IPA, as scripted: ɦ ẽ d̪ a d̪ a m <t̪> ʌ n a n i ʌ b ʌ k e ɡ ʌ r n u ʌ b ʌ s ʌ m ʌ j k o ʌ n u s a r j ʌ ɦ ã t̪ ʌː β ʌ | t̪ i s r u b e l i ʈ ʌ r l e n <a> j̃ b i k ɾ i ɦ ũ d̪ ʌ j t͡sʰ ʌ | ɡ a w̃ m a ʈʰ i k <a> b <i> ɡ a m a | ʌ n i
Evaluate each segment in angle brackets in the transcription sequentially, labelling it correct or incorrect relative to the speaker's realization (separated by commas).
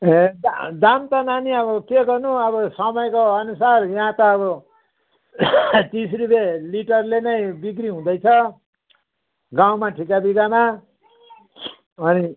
correct, incorrect, correct, correct